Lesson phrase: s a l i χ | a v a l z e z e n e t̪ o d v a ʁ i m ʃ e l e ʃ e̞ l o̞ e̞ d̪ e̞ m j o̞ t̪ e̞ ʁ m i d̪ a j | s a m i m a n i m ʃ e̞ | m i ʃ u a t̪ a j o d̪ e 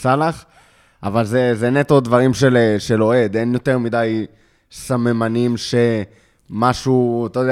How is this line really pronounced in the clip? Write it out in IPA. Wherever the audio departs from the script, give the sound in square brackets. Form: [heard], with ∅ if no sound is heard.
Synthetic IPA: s a l [a] χ | a v a l z e z e n e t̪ o d v a ʁ i m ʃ e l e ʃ e̞ l o̞ e̞ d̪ e̞ [n] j o̞ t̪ e̞ ʁ m i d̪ a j | s a m [e] m a n i m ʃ e̞ | m [a] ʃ u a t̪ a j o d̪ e